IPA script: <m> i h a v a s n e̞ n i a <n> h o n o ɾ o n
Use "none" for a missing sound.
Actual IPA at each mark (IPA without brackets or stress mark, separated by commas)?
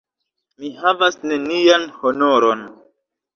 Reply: m, n